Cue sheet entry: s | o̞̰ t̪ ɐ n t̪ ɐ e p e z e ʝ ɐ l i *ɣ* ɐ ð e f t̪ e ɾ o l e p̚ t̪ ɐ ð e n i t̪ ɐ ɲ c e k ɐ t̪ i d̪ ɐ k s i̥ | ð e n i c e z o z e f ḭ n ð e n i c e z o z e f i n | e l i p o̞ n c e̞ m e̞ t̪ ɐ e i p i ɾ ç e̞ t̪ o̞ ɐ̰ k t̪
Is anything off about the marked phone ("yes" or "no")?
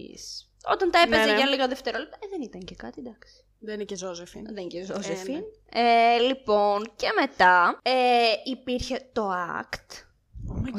no